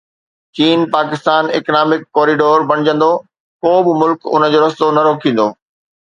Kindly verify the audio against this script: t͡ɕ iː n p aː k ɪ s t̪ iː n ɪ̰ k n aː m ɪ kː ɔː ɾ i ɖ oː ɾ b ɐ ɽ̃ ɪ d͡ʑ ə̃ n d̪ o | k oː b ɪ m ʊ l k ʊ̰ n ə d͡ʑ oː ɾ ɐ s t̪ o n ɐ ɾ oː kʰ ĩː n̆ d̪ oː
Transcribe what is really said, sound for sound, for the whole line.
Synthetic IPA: t͡ɕ iː n p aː k ɪ s t̪ aː n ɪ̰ k n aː m ɪ kː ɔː ɾ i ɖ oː ɾ b ɐ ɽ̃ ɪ d͡ʑ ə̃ n d̪ o | k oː b ɪ m ʊ l k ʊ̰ n ə d͡ʑ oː ɾ ɐ s t̪ o n ɐ ɾ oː kʰ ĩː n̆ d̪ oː